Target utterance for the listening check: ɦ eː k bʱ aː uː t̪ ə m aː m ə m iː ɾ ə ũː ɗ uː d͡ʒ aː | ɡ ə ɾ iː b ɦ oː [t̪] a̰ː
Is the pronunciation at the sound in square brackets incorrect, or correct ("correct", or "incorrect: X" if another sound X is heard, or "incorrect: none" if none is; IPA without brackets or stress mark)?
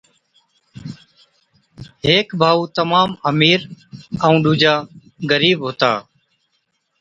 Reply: correct